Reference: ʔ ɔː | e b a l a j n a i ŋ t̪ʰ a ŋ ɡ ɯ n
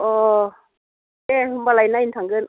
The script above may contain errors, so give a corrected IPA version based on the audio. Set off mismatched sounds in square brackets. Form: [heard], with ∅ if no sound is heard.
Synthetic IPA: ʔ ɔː | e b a l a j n a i [n] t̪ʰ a ŋ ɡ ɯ n